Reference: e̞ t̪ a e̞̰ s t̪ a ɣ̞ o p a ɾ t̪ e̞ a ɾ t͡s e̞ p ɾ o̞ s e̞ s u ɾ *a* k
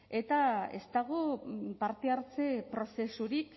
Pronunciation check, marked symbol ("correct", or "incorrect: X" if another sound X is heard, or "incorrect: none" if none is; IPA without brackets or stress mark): incorrect: i